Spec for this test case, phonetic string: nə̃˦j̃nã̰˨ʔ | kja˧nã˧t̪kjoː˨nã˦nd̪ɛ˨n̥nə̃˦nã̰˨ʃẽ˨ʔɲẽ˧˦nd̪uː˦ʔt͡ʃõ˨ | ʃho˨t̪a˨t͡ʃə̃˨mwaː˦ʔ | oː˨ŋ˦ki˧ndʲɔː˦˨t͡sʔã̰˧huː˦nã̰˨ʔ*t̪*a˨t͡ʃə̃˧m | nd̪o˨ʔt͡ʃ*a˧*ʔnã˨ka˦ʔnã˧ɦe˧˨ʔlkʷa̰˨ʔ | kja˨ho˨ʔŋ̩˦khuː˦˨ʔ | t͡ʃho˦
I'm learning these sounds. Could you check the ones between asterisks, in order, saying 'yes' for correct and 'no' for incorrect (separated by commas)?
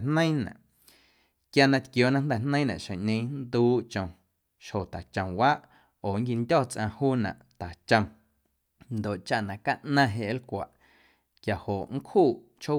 yes, yes